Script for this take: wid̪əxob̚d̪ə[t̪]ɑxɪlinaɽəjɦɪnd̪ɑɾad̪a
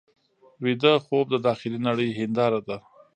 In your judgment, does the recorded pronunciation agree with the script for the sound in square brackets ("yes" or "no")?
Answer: no